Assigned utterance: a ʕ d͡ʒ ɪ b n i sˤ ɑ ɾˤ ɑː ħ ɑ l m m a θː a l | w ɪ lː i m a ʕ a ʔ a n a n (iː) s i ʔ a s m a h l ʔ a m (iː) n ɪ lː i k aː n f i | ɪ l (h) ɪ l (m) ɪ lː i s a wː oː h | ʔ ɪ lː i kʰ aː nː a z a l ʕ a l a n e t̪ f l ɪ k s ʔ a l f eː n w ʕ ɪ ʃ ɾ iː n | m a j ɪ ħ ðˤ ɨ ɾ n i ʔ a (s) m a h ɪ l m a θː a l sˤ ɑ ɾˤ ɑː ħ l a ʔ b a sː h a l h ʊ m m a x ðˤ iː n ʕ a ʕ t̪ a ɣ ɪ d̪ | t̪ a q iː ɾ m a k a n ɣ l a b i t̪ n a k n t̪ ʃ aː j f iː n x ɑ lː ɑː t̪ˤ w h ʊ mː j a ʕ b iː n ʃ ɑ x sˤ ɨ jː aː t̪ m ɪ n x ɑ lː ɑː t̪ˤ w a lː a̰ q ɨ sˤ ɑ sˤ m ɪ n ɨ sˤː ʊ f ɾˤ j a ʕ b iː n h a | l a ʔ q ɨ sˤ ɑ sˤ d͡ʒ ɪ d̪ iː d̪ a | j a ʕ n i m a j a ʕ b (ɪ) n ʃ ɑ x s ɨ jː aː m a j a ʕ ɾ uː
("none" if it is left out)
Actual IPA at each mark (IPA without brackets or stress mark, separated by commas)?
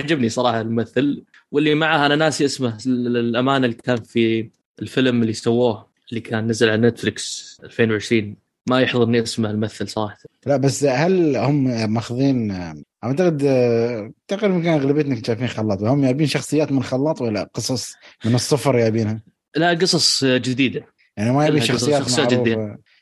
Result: aː, aː, f, m, s, i